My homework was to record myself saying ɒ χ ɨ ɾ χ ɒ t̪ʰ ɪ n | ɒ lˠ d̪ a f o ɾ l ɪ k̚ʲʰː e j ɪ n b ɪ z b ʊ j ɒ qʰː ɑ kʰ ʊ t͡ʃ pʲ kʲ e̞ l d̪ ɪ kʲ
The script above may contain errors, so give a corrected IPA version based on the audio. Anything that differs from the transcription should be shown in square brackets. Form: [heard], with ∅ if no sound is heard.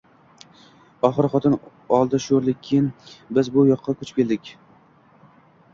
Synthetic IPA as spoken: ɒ χ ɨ ɾ χ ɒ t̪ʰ ɪ n | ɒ lˠ d̪ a [ʃ] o ɾ l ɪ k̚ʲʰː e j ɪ n b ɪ z b ʊ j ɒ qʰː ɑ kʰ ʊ t͡ʃ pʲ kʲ e̞ l d̪ ɪ kʲ

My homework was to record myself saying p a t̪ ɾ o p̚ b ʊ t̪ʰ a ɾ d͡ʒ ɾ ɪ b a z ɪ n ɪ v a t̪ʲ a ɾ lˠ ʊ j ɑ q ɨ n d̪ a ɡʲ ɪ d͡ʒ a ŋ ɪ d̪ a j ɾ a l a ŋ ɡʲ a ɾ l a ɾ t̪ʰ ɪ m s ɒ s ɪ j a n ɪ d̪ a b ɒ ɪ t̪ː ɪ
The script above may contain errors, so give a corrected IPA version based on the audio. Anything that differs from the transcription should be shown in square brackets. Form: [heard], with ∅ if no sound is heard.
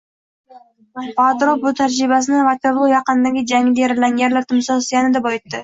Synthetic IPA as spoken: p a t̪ ɾ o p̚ b ʊ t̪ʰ a ɾ d͡ʒ ɾ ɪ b a [s] ɪ n ɪ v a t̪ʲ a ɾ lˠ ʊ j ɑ q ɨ n d̪ a ɡʲ ɪ d͡ʒ a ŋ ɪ d̪ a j ɾ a l a ŋ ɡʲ a ɾ l a ɾ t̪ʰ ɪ m s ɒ s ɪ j a n ɪ d̪ a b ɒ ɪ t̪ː ɪ

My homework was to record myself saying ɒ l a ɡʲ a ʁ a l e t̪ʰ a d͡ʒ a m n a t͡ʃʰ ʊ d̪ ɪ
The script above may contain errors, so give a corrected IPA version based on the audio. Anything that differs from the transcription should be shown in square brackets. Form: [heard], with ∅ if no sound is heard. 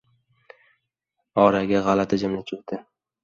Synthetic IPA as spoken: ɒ [ɾ] a ɡʲ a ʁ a l [a] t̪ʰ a d͡ʒ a m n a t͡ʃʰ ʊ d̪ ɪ

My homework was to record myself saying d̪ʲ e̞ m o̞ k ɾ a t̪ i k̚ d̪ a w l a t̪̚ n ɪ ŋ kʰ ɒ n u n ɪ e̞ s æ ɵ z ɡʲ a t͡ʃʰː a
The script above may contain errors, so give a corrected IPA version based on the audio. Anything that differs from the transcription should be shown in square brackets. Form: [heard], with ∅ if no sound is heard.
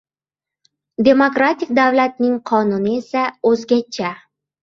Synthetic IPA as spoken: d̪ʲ e̞ m o̞ k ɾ a t̪ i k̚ d̪ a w l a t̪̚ n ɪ ŋ [qʰ] ɒ n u n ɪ e̞ s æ ɵ z ɡʲ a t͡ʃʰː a

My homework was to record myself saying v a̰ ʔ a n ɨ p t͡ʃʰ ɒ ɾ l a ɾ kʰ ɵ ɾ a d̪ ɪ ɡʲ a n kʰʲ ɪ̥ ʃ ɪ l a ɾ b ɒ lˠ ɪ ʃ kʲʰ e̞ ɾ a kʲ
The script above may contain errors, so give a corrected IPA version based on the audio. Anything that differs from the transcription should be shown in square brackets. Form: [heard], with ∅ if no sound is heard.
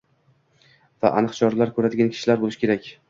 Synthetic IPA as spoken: v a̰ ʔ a n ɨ [q] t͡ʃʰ ɒ ɾ l a ɾ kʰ ɵ ɾ a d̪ ɪ ɡʲ a n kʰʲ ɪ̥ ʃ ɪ l a ɾ b [o] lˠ ɪ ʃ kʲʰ e̞ ɾ a kʲ

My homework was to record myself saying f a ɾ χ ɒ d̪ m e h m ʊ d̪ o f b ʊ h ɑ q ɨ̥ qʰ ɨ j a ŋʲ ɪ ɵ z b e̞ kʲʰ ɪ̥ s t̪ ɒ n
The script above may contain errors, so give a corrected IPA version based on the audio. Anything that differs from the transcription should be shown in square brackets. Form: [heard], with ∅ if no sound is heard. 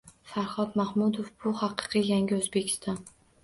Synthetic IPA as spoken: f a ɾ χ ɒ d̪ m [a] h m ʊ d̪ o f b ʊ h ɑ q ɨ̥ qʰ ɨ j a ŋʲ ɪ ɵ z b e̞ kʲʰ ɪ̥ s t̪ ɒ n

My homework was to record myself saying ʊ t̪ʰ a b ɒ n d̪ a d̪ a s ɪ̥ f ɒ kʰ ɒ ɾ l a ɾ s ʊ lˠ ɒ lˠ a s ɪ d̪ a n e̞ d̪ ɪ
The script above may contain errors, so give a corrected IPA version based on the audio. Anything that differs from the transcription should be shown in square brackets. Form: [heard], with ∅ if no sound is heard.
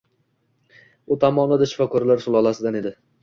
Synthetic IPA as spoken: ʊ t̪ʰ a [m] ɒ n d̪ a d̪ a [ʃ] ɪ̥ f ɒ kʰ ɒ ɾ l a ɾ s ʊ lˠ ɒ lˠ a s ɪ d̪ a n e̞ d̪ ɪ

